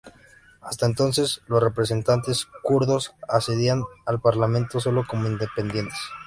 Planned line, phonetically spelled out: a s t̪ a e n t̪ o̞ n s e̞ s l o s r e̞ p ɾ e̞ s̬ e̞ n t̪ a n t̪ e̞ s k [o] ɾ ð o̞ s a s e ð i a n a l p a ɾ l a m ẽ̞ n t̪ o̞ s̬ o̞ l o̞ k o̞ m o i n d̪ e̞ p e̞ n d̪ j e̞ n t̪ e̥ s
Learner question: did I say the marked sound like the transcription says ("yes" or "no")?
no